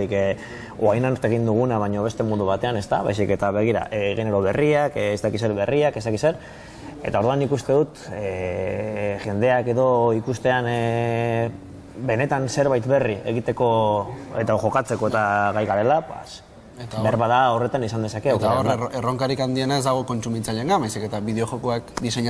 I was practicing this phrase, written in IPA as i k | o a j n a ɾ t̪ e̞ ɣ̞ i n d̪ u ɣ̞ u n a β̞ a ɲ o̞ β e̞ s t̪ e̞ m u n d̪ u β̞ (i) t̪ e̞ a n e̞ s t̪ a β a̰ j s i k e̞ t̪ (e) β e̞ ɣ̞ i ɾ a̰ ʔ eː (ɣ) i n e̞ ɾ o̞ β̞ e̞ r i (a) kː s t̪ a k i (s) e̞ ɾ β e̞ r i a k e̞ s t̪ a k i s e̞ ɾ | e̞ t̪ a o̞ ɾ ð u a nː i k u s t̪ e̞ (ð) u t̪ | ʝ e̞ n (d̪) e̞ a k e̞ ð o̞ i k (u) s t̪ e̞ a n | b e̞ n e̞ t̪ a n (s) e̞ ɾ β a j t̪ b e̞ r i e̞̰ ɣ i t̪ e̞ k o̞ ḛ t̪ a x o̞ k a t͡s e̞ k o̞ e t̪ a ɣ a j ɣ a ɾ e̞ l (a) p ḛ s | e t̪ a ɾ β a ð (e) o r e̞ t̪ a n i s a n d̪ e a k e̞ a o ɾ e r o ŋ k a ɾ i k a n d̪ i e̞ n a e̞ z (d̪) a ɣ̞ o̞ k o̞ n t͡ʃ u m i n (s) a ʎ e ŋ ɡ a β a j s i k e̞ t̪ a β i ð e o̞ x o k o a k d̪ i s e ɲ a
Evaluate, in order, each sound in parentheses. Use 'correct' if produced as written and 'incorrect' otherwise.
incorrect: a, incorrect: a, correct, correct, correct, correct, correct, correct, correct, correct, incorrect: a, correct, incorrect: t͡s

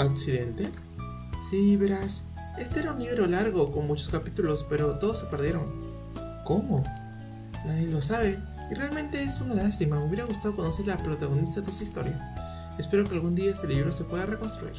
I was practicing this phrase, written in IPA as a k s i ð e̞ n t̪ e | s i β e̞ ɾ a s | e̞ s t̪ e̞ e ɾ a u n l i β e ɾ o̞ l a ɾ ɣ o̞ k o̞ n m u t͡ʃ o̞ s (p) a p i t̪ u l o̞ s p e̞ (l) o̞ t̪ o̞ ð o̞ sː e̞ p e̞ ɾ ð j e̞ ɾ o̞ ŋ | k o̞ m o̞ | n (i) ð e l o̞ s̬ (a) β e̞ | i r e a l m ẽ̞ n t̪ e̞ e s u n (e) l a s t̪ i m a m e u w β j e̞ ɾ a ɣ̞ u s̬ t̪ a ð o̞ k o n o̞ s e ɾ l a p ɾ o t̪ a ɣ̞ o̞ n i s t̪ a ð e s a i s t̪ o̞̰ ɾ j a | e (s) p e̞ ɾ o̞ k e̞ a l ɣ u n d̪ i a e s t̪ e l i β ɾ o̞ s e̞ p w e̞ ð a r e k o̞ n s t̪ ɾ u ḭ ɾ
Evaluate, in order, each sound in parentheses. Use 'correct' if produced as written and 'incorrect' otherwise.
incorrect: k, incorrect: ɾ, incorrect: a, correct, incorrect: a, correct

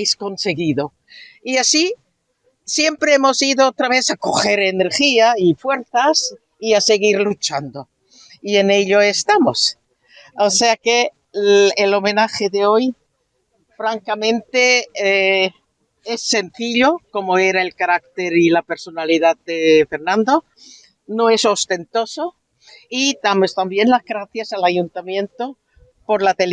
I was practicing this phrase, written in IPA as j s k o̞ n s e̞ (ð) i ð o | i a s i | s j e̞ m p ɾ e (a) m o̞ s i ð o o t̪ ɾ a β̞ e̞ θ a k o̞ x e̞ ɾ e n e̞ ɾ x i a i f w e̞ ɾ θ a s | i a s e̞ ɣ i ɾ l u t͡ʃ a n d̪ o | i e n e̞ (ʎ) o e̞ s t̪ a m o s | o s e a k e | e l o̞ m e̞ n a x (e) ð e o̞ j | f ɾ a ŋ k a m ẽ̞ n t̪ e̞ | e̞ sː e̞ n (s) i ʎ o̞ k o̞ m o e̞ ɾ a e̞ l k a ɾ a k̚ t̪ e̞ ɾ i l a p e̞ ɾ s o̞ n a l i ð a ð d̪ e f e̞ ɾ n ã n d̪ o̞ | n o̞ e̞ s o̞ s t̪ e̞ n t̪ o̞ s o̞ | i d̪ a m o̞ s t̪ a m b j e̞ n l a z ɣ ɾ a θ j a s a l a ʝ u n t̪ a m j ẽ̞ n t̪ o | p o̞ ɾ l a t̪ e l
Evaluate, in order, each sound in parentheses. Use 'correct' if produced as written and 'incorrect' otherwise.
incorrect: ɣ, incorrect: e, correct, correct, incorrect: θ

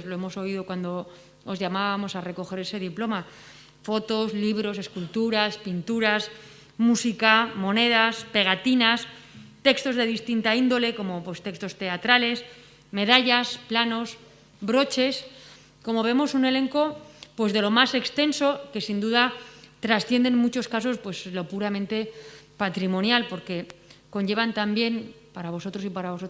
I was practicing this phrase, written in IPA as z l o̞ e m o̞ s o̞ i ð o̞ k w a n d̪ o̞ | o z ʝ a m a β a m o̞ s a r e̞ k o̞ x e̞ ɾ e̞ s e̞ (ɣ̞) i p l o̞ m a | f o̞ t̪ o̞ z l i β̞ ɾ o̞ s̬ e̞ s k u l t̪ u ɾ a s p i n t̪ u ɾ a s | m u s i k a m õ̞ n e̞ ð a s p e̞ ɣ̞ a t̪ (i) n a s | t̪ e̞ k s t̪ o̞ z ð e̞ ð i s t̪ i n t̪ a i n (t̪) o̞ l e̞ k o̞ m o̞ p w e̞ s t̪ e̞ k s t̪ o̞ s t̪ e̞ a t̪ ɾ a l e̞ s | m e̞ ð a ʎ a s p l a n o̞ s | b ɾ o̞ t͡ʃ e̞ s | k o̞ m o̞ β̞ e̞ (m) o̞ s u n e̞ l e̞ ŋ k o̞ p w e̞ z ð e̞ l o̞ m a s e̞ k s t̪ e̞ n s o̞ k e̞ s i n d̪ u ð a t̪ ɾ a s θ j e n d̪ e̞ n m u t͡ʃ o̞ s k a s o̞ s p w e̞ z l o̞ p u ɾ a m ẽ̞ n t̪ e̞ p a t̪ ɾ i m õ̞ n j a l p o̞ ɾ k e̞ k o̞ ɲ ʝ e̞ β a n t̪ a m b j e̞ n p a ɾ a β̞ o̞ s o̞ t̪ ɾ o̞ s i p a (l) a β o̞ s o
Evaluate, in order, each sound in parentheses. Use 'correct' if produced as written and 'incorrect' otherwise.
incorrect: ð̞, correct, incorrect: d̪, correct, incorrect: ɾ

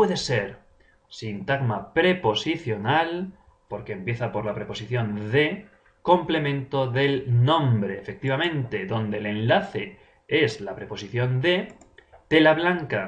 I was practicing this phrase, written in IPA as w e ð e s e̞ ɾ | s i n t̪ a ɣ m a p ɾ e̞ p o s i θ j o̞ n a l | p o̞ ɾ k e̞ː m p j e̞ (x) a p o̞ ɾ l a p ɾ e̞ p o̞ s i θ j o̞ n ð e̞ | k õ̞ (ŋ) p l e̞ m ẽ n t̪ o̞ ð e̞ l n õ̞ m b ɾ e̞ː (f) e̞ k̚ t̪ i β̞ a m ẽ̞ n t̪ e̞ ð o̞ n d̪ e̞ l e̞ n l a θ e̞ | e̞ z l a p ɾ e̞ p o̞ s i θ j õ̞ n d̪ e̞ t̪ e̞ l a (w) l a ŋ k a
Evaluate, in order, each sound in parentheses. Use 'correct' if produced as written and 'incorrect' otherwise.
incorrect: θ, incorrect: m, correct, incorrect: β

